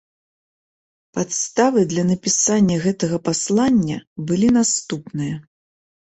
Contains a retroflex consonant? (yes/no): no